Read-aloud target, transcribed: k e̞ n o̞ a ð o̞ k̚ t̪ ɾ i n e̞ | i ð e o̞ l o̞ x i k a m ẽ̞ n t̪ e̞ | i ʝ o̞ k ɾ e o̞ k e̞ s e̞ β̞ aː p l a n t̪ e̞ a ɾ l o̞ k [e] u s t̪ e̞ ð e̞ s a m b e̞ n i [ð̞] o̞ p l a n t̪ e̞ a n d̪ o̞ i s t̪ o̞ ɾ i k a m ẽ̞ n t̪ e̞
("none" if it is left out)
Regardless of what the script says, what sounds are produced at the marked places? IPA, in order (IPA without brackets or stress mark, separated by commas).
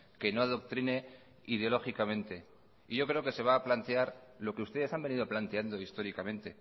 e, ð̞